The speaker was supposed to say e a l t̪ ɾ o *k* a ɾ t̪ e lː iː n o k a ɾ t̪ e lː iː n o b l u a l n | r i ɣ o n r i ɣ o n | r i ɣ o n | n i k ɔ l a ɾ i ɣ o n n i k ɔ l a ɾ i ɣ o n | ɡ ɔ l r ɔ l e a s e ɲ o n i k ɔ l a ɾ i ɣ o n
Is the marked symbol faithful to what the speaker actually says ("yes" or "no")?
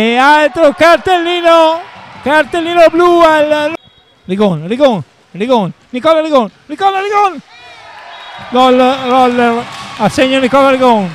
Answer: yes